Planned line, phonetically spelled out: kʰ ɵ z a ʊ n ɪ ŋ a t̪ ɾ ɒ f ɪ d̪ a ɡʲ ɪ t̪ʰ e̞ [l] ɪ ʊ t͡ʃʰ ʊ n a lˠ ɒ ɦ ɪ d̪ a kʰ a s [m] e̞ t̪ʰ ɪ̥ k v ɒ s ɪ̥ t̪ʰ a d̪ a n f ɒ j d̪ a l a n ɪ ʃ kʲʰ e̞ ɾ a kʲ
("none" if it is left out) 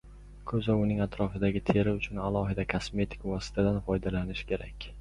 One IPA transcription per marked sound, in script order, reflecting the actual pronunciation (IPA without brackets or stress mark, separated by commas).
ɾ, m